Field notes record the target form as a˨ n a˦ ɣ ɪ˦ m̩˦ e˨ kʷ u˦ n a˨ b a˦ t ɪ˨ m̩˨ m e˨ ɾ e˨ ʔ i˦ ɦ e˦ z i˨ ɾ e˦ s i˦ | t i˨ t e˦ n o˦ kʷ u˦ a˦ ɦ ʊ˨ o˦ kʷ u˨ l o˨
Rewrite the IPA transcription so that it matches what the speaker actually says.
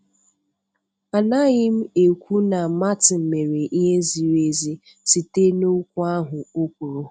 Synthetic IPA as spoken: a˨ n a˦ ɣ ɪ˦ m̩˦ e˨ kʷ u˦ n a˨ m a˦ t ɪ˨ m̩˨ m e˨ ɾ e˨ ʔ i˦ ɦ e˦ z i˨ ɾ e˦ z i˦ | s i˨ t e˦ n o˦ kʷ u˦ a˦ ɦ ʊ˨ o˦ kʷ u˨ ɾ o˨